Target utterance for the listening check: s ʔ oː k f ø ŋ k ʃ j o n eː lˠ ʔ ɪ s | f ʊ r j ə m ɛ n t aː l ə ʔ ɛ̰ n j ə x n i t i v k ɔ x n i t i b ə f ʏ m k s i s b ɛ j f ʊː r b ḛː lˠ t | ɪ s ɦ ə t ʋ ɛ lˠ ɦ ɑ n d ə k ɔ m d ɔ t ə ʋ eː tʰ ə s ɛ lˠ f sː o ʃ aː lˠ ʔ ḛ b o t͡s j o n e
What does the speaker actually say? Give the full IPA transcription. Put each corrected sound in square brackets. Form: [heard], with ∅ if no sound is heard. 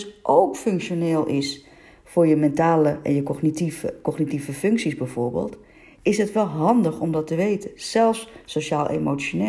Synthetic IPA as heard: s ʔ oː k f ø ŋ k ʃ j o n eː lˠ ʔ ɪ s | f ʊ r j ə m ɛ n t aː l ə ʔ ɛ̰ n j ə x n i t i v k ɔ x n i t i [v] ə f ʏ [ŋ] k s i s b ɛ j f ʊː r b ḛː lˠ t | ɪ s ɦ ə t ʋ ɛ lˠ ɦ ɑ n d ə [x] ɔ m d ɔ t ə ʋ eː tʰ ə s ɛ lˠ f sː o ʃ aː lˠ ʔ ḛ [m] o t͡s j o n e